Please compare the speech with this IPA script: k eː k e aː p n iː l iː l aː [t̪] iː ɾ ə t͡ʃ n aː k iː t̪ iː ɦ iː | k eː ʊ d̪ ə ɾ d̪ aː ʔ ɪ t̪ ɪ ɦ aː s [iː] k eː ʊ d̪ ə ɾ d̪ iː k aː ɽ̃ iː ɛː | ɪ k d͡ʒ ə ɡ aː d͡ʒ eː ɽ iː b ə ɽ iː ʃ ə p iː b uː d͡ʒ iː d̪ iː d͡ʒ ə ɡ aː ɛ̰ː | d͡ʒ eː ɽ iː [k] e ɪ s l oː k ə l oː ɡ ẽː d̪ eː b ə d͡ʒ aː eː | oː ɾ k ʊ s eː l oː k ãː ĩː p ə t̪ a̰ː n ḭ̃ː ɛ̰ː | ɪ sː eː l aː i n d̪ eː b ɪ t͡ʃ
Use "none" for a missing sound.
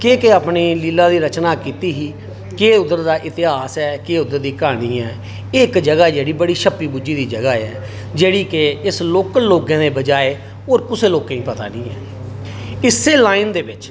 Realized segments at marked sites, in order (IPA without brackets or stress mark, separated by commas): d̪, ɛː, k